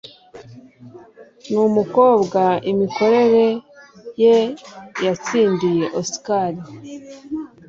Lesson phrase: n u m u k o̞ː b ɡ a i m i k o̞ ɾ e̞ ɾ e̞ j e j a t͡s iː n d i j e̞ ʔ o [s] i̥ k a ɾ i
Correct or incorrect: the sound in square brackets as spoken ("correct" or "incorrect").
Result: correct